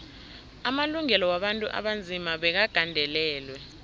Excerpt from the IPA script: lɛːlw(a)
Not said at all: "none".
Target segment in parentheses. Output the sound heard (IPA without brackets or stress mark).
ɛ